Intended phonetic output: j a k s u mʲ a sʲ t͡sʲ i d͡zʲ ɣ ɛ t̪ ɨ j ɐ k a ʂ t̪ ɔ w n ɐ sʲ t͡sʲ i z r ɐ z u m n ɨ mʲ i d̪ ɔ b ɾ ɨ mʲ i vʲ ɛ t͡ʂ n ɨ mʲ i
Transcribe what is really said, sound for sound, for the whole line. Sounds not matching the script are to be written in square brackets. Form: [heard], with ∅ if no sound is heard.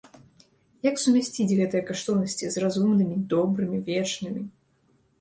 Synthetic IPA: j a k s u mʲ a sʲ t͡sʲ i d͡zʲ ɣ ɛ t̪ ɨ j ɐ k a ʂ t̪ ɔ w n ɐ sʲ t͡sʲ i z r [a] z u m n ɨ mʲ i d̪ ɔ b ɾ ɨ mʲ i vʲ ɛ t͡ʂ n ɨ mʲ i